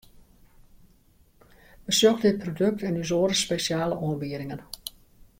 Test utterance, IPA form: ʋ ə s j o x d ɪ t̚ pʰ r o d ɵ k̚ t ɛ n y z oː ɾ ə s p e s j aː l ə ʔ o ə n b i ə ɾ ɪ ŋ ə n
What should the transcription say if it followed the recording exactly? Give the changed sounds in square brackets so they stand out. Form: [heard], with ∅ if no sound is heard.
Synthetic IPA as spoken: ʋ ə s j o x d ɪ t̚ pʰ r o d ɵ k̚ t ɛ n y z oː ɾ ə s p e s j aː l ə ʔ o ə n b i ə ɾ ɪ ŋ ə n